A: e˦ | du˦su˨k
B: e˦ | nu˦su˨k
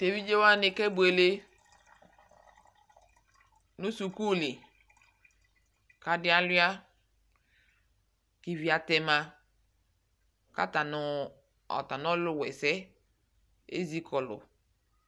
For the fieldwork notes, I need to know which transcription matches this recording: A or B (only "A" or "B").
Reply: B